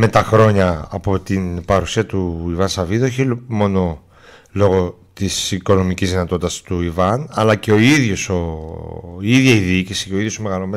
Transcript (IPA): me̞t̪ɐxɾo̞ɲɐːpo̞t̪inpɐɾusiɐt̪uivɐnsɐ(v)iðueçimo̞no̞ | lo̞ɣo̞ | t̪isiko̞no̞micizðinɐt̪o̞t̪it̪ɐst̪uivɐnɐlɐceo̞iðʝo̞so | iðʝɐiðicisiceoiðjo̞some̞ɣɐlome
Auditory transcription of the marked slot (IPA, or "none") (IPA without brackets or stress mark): v